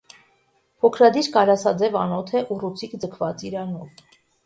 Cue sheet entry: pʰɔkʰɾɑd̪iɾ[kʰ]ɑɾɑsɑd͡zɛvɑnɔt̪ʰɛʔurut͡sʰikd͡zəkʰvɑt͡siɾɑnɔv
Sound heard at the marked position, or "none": k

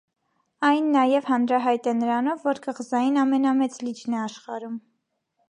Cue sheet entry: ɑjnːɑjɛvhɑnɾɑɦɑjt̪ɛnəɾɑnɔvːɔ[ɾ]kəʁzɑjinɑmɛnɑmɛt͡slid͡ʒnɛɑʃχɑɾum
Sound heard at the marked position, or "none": ɾ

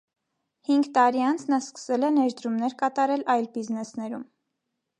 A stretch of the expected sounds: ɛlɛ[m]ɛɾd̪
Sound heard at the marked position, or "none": n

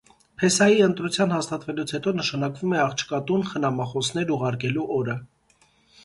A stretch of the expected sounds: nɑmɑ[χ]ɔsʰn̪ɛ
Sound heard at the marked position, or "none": χ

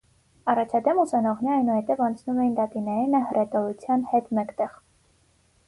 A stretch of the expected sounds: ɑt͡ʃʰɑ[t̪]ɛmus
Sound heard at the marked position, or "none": d̪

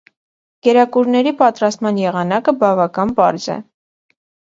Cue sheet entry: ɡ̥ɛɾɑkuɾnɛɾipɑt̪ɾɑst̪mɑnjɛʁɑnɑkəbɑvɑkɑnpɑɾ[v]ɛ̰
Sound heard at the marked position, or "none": z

